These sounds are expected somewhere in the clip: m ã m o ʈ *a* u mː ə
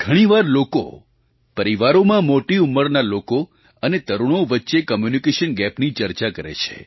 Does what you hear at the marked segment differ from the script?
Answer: yes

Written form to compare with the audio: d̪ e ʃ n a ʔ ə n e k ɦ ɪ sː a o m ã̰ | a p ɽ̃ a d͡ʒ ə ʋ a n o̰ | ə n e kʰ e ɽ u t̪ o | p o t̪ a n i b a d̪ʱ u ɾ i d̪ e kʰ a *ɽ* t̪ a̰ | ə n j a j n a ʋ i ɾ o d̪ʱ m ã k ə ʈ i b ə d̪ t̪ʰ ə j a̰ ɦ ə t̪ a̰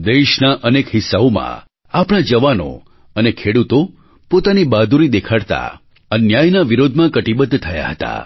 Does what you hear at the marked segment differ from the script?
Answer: no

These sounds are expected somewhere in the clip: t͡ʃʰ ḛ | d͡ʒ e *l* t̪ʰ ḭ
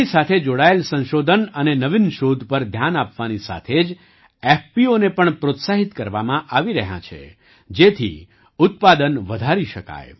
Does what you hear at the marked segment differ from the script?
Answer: yes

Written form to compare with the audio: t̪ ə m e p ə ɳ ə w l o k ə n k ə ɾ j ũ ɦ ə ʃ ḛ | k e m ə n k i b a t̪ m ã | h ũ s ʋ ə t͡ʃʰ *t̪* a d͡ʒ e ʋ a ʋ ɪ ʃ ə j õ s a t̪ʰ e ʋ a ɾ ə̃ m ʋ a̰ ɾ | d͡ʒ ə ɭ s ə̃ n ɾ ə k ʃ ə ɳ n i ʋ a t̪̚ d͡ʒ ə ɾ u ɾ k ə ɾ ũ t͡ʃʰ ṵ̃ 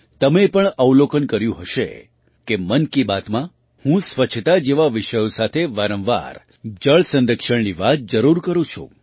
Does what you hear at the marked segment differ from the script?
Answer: no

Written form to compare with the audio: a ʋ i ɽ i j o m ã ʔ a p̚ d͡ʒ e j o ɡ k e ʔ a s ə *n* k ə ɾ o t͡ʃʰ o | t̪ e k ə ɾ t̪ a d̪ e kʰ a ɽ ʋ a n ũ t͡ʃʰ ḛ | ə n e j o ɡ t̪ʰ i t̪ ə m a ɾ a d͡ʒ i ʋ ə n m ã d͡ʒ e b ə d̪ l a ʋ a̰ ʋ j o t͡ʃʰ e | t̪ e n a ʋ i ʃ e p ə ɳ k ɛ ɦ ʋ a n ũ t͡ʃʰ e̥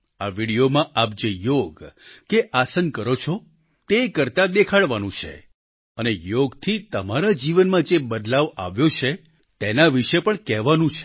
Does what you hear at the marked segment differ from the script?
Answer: no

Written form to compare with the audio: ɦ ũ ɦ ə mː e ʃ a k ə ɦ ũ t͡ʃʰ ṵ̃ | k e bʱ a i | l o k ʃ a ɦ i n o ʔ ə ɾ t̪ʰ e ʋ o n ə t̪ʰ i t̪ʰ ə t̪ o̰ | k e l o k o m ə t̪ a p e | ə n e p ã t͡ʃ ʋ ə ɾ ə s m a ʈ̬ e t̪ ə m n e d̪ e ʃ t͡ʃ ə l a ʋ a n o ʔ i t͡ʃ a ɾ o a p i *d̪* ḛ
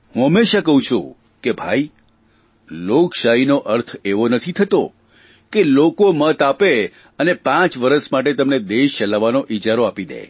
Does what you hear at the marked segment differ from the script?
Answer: no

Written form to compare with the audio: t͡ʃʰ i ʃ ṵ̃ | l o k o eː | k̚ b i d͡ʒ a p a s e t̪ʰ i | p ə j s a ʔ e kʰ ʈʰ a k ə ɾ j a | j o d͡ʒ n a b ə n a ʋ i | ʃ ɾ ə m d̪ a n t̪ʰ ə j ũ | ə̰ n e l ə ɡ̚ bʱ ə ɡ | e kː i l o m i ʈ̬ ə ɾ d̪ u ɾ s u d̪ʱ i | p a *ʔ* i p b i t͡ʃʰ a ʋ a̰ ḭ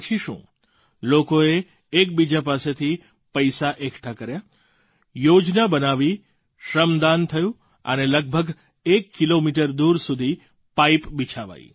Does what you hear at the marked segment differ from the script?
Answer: yes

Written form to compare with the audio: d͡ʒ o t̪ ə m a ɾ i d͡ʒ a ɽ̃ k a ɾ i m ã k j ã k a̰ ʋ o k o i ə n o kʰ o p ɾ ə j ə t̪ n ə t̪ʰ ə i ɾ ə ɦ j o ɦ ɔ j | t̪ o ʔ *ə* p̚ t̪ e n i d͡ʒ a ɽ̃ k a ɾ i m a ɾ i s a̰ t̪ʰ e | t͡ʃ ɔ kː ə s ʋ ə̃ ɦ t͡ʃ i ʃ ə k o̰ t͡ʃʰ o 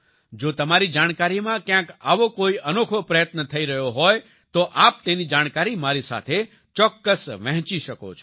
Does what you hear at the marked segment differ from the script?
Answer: yes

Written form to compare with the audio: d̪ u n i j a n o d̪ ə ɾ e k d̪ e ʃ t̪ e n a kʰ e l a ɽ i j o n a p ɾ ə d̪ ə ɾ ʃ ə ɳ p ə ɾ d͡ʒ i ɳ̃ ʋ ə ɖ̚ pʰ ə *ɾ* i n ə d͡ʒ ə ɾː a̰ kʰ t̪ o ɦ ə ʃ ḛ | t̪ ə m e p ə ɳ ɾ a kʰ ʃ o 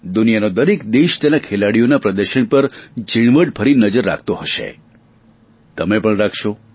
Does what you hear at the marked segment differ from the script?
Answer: no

